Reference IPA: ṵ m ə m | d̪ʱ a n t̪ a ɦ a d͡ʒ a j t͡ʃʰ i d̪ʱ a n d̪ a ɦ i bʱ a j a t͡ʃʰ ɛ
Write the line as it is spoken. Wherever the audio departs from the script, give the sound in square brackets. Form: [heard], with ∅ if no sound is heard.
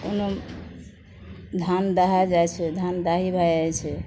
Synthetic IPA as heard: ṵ [n] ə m | d̪ʱ a n [d̪] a ɦ a d͡ʒ a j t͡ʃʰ [ɛ] d̪ʱ a n d̪ a ɦ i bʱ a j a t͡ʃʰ ɛ